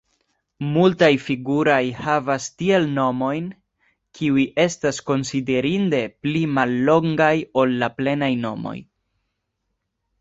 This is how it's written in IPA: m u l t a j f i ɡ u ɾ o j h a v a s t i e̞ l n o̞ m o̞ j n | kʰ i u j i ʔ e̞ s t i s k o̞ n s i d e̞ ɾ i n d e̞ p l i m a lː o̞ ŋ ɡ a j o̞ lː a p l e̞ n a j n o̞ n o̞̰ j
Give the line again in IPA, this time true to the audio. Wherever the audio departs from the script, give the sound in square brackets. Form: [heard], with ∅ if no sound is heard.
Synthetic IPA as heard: m u l t a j f i ɡ u ɾ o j h a v a s t i e̞ l n o̞ m o̞ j n | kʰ i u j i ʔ e̞ s t [a] s k o̞ n s i d e̞ ɾ i n d e̞ p l i m a lː o̞ ŋ ɡ a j o̞ lː a p l e̞ n a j n o̞ [m] o̞̰ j